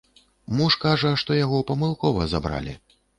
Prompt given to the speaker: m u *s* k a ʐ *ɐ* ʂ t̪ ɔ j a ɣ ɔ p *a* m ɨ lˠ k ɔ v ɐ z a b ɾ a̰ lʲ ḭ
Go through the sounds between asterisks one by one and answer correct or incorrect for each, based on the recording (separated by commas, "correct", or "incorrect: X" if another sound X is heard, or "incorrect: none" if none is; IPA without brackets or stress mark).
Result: incorrect: ʂ, correct, incorrect: ɐ